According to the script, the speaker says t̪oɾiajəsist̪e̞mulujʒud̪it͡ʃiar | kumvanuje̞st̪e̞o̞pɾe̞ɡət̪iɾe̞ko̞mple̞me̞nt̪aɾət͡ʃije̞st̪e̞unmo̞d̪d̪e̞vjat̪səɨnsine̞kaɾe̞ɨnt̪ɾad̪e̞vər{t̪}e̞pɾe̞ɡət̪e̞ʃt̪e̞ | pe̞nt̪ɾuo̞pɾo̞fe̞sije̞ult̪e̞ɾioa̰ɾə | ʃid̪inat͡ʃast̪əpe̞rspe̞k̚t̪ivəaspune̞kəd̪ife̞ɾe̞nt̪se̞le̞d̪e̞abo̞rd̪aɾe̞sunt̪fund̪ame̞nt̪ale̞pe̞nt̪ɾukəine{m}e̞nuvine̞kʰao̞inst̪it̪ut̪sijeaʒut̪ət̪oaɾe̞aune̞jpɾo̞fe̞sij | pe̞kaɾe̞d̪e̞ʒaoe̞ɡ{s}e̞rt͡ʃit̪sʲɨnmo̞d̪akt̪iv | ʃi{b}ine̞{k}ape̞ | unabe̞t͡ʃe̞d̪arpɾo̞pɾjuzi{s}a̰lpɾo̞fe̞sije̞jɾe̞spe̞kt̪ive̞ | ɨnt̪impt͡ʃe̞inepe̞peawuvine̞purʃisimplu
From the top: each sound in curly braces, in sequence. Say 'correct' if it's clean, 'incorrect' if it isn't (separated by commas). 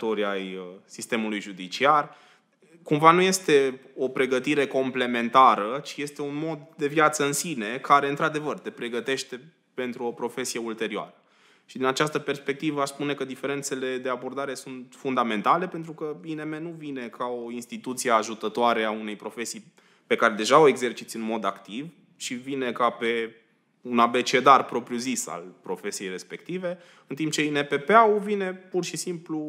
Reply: correct, correct, incorrect, incorrect, correct, correct